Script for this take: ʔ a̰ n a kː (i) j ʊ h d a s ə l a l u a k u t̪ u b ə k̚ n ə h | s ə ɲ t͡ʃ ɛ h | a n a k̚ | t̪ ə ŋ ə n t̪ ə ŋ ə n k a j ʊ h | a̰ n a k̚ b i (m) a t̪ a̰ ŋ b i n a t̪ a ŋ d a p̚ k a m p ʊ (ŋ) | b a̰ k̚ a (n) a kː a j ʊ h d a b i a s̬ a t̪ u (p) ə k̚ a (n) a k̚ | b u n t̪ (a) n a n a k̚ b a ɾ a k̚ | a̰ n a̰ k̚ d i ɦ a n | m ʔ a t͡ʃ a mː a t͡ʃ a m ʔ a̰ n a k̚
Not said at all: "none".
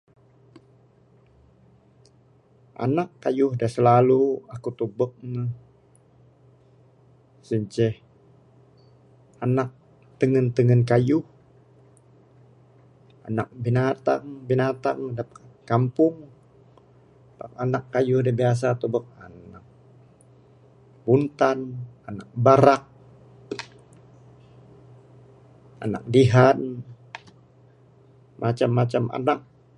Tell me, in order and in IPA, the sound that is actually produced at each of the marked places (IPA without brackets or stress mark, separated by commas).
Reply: a, n, ŋ, n, b, n, a